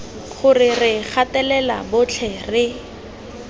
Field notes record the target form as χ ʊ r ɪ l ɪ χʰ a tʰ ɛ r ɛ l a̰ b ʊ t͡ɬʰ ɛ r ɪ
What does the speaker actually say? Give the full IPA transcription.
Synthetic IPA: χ ʊ r ɪ r ɪ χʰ a t ɛ l ɛ l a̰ b ʊ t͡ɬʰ ɛ r ɪ